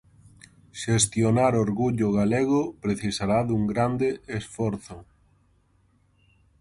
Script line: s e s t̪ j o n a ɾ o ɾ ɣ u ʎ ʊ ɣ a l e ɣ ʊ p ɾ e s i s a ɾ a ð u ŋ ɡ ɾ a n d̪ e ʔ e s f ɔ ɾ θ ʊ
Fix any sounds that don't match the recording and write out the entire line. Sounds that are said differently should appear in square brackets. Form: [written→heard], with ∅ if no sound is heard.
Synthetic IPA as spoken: [s→ʃ] e s t̪ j o n a ɾ o ɾ ɣ u ʎ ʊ ɣ a l e ɣ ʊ p ɾ e [s→θ] i s a ɾ a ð u ŋ ɡ ɾ a n d̪ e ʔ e s f ɔ ɾ θ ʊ